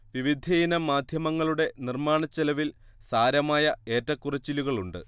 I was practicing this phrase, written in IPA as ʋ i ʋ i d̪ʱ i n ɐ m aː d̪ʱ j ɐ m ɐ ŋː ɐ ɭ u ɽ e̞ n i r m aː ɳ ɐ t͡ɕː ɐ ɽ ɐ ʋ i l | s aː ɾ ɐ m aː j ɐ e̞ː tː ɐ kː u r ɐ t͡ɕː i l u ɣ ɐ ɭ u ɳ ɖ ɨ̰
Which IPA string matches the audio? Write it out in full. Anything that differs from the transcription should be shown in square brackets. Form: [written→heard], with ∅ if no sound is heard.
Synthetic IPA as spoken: ʋ i ʋ i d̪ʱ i n ɐ m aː d̪ʱ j ɐ m ɐ ŋː ɐ ɭ u ɽ e̞ n i r m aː ɳ ɐ t͡ɕː ɐ [ɽ→l] ɐ ʋ i l | s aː ɾ ɐ m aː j ɐ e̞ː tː ɐ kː u r ɐ t͡ɕː i l u ɣ ɐ ɭ u ɳ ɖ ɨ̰

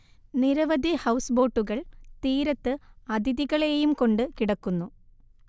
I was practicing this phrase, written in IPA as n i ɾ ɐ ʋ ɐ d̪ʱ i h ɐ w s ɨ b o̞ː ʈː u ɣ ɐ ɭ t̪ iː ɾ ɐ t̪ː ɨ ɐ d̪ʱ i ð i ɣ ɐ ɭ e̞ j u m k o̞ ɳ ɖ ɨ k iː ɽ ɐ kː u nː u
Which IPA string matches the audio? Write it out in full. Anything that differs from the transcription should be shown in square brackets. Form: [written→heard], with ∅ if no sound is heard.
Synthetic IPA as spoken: n i ɾ ɐ ʋ ɐ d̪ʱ i h ɐ w s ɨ b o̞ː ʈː u ɣ ɐ ɭ t̪ iː ɾ ɐ t̪ː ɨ ɐ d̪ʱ i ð i ɣ ɐ ɭ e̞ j u m k o̞ ɳ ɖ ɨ k [iː→i] ɽ ɐ kː u nː u

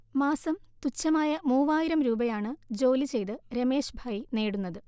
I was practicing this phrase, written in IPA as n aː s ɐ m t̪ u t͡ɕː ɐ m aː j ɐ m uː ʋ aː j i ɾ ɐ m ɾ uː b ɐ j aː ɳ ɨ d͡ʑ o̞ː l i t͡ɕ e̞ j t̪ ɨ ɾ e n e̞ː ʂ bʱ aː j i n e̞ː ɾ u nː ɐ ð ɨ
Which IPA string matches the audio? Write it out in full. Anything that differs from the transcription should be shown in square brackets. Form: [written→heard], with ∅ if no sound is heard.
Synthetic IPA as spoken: [n→m] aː s ɐ m t̪ u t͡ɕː ɐ m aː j ɐ m uː ʋ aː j i ɾ ɐ m ɾ uː b ɐ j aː ɳ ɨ d͡ʑ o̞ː l i t͡ɕ e̞ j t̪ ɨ ɾ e [n→m] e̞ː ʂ bʱ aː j i n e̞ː [ɾ→ɽ] u nː ɐ ð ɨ

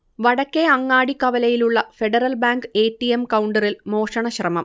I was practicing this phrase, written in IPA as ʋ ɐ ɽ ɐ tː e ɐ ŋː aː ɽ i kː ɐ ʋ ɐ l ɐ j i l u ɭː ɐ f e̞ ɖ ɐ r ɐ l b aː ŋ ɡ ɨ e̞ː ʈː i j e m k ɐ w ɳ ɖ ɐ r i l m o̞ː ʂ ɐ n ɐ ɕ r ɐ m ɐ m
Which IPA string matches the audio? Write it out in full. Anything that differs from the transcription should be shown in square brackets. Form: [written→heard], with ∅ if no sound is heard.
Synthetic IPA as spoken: ʋ ɐ ɽ ɐ [tː→kː] e ɐ ŋː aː ɽ i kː ɐ ʋ ɐ l ɐ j i l u ɭː ɐ f e̞ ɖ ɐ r ɐ l b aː ŋ ɡ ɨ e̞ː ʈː i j e m k ɐ w ɳ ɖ ɐ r i l m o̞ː ʂ ɐ [n→ɳ] ɐ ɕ r ɐ m ɐ m

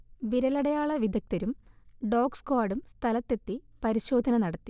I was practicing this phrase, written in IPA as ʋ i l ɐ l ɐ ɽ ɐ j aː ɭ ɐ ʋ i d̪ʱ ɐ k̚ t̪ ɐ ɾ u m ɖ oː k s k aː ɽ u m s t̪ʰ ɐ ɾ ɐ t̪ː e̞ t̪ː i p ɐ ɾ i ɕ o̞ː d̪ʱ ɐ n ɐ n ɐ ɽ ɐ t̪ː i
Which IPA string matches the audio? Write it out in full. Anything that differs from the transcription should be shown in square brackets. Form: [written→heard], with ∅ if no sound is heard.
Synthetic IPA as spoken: ʋ i [l→ɾ] ɐ l ɐ ɽ ɐ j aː ɭ ɐ ʋ i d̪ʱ ɐ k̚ t̪ ɐ ɾ u m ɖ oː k s k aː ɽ u m s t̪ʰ ɐ [ɾ→l] ɐ t̪ː e̞ t̪ː i p ɐ ɾ i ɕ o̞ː d̪ʱ ɐ n ɐ n ɐ ɽ ɐ t̪ː i

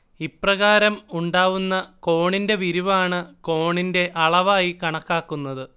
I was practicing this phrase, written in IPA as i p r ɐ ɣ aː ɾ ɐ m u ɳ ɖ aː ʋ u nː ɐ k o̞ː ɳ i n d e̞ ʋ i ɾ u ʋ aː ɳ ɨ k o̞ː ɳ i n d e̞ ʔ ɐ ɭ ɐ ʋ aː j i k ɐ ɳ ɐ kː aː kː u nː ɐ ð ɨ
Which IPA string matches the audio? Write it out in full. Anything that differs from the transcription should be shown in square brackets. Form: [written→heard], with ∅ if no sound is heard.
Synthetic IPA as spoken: i p r ɐ ɣ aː ɾ ɐ m u ɳ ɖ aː ʋ u nː ɐ k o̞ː ɳ i n d e̞ ʋ i ɾ u ʋ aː ɳ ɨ k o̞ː ɳ i n d e̞ ʔ ɐ ɭ ɐ ʋ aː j i k ɐ ɳ ɐ kː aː kː u nː ɐ ð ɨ

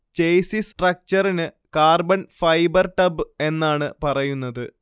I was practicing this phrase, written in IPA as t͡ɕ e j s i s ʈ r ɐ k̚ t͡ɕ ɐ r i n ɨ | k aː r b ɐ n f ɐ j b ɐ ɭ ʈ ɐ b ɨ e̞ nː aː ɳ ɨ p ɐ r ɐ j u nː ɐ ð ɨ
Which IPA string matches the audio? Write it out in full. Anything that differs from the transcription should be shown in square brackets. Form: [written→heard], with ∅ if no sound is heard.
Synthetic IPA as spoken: t͡ɕ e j s i s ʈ r ɐ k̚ t͡ɕ ɐ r i n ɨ | k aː r b ɐ n f ɐ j b ɐ [ɭ→r] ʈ ɐ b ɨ e̞ nː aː ɳ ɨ p ɐ r ɐ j u nː ɐ ð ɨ

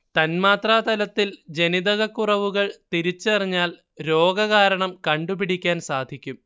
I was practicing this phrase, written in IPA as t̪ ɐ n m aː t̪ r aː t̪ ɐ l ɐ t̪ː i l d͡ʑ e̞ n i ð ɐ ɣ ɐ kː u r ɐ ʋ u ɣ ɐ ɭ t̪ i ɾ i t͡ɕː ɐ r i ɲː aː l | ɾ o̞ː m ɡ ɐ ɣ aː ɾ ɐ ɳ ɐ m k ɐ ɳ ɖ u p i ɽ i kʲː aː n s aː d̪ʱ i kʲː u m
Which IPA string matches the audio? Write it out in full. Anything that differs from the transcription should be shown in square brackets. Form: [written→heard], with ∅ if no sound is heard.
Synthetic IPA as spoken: t̪ ɐ n m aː t̪ r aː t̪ ɐ l ɐ t̪ː i l d͡ʑ e̞ n i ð ɐ ɣ ɐ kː u r ɐ ʋ u ɣ ɐ ɭ t̪ i ɾ i t͡ɕː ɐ r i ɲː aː l | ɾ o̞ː [m→∅] ɡ ɐ ɣ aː ɾ ɐ ɳ ɐ m k ɐ ɳ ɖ u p i ɽ i kʲː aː n s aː d̪ʱ i kʲː u m

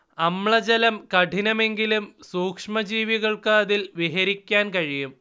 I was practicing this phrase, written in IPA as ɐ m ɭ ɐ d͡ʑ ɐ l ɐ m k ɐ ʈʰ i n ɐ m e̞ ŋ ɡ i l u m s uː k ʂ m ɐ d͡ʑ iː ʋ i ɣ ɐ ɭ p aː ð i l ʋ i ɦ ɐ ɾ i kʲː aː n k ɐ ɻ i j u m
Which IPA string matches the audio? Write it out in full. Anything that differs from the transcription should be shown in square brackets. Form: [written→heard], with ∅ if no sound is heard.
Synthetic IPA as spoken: ɐ m ɭ ɐ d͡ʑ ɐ l ɐ m k ɐ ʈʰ i n ɐ m e̞ ŋ ɡ i l u m s uː k ʂ m ɐ d͡ʑ iː ʋ i ɣ ɐ ɭ [p→k] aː ð i l ʋ i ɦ ɐ ɾ i kʲː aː n k ɐ ɻ i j u m

